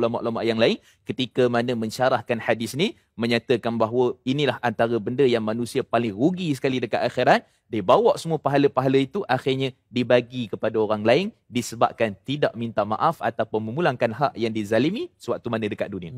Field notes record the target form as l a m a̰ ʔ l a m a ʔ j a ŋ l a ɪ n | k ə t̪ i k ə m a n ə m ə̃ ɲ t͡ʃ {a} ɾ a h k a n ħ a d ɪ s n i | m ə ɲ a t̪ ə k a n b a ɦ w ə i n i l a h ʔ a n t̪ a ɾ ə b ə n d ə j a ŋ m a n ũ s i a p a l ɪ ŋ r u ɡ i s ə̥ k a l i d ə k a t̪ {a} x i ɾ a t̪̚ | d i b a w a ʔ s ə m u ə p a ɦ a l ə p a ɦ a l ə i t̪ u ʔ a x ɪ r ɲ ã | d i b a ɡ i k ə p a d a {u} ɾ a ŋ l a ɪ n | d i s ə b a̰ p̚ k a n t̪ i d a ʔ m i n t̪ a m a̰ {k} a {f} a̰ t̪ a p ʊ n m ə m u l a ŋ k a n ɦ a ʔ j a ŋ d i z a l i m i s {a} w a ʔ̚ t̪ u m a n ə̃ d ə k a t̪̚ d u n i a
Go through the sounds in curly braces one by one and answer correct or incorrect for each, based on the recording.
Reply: correct, correct, incorrect: o, incorrect: ʔ, correct, incorrect: ə

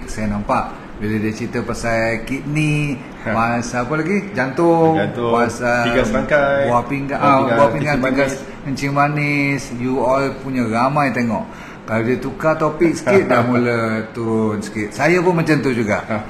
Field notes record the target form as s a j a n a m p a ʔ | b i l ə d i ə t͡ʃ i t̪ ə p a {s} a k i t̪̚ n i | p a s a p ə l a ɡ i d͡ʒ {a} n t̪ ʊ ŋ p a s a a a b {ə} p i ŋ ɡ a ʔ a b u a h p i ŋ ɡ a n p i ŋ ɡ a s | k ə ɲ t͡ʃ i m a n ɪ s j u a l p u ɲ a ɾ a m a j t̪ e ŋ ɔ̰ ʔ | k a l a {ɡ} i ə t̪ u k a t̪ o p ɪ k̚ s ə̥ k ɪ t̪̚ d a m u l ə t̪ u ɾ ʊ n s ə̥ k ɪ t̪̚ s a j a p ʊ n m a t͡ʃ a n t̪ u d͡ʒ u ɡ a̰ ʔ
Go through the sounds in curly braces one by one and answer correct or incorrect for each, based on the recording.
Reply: correct, correct, incorrect: a, incorrect: d

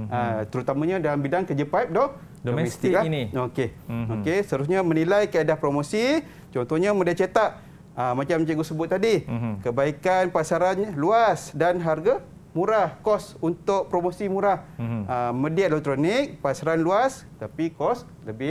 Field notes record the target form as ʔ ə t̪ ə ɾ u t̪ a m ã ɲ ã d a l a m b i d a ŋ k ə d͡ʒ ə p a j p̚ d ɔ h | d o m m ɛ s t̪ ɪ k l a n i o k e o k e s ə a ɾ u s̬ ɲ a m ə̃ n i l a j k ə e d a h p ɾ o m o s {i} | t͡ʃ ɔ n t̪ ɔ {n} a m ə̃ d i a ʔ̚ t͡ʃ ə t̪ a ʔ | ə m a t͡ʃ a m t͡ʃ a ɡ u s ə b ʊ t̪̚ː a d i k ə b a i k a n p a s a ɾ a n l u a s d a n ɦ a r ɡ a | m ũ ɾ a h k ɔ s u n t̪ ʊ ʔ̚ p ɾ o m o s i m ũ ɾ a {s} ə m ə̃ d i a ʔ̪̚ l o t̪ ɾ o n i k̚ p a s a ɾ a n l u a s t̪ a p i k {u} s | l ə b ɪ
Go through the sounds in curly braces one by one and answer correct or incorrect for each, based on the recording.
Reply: correct, incorrect: ɲ, incorrect: h, incorrect: ɔ

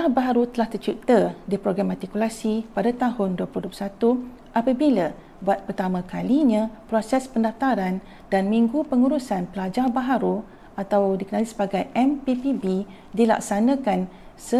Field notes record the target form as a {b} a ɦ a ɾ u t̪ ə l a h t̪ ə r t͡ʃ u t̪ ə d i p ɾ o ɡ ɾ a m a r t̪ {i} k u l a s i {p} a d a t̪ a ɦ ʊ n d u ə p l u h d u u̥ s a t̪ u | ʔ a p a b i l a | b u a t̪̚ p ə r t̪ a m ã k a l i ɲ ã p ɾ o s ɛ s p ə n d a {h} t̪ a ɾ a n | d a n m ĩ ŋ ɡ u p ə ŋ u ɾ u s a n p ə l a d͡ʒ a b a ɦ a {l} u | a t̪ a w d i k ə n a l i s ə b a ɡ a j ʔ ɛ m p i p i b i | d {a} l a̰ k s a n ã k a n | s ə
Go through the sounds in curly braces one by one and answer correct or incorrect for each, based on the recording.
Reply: correct, correct, correct, incorrect: f, incorrect: ɾ, incorrect: i

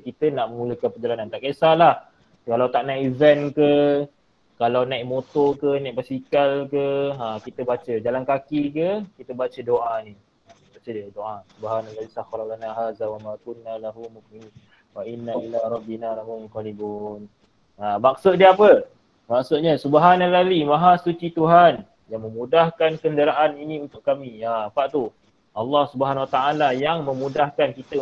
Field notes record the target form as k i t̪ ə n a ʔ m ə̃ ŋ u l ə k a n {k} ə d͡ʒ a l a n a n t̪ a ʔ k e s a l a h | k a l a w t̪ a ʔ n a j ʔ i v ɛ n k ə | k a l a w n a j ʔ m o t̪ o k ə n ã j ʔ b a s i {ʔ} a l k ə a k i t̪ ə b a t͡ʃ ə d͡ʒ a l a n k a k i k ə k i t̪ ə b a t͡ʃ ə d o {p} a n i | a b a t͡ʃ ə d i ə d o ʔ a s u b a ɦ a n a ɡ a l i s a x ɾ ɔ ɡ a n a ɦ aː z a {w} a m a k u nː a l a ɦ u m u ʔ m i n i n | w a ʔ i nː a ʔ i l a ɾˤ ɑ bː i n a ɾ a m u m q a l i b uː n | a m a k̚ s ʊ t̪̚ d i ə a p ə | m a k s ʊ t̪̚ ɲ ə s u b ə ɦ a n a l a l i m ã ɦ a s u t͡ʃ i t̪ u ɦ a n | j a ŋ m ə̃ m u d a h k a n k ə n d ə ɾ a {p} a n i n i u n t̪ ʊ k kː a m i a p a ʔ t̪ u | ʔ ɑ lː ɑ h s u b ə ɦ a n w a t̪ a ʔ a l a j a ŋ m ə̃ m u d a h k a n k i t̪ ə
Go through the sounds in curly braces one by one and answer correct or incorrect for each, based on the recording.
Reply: incorrect: p, incorrect: k, incorrect: ʔ, correct, incorrect: ʔ

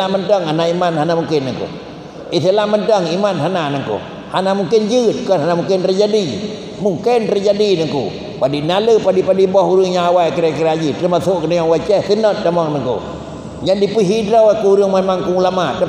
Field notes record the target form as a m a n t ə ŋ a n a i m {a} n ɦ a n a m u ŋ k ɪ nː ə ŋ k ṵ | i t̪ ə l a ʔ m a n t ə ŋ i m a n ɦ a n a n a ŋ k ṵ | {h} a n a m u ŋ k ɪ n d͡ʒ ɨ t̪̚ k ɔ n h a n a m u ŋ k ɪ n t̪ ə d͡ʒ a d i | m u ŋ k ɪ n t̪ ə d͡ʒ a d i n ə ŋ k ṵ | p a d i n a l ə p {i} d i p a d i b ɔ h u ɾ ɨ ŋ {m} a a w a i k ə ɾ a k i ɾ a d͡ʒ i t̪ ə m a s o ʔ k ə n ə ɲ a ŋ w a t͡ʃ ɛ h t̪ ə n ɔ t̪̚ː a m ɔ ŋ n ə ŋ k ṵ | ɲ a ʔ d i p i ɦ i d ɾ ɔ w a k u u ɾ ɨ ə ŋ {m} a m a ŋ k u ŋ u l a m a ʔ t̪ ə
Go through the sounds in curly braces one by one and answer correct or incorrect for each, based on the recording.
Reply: correct, correct, incorrect: a, incorrect: ɲ, correct

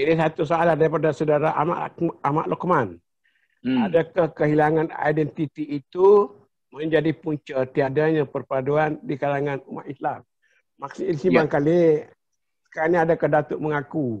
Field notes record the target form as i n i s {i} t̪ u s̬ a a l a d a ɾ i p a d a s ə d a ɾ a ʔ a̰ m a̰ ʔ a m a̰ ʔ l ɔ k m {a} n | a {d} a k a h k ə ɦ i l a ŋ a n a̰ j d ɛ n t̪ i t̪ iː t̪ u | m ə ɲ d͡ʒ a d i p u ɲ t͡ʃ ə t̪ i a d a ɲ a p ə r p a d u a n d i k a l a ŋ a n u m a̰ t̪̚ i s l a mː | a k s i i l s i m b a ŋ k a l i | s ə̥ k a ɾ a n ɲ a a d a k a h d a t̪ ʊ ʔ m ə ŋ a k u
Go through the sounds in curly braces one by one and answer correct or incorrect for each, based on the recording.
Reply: incorrect: a, correct, correct

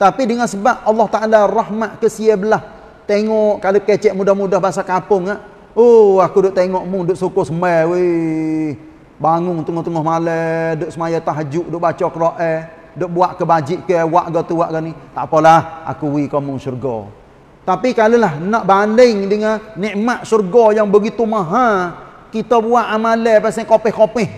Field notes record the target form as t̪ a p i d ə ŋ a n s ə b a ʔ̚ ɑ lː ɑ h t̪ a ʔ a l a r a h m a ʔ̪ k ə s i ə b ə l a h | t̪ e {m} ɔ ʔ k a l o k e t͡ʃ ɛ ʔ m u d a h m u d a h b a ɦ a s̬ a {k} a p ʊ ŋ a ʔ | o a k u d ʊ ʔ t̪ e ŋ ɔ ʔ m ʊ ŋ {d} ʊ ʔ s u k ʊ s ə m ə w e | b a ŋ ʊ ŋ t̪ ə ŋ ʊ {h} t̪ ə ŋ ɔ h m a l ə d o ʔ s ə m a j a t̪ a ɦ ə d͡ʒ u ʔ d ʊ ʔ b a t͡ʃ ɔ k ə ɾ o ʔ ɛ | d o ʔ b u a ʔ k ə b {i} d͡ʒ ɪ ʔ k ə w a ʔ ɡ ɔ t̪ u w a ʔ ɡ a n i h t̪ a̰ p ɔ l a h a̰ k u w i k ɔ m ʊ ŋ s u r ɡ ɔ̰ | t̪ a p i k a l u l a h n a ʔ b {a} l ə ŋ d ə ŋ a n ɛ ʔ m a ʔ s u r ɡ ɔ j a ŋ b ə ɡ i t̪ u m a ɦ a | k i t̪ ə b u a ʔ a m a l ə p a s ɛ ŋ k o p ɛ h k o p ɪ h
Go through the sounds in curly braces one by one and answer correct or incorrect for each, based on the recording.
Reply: incorrect: ŋ, correct, correct, correct, incorrect: a, correct

